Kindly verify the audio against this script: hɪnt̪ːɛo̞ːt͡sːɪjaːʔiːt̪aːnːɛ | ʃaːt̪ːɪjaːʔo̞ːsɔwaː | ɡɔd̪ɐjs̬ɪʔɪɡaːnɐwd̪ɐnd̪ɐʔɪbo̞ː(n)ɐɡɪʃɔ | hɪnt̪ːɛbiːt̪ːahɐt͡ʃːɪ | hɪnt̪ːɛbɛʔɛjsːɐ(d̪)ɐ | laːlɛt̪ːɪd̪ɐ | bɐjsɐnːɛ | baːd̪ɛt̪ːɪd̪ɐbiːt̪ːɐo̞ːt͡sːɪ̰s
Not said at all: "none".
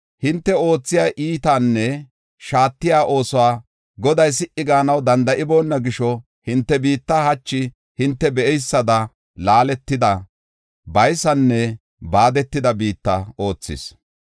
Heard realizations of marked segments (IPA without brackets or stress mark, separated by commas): nː, d̪